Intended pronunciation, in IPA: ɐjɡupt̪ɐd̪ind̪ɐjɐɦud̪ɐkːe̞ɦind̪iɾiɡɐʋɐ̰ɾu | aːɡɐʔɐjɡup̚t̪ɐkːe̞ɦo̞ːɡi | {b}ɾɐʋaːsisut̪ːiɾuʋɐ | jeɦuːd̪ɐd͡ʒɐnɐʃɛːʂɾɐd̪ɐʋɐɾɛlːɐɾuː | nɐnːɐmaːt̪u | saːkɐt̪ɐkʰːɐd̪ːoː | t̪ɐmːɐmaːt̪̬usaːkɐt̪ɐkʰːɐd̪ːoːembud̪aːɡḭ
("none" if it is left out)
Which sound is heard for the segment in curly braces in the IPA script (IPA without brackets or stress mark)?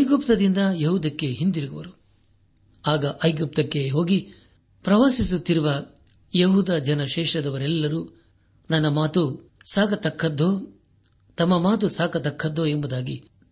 p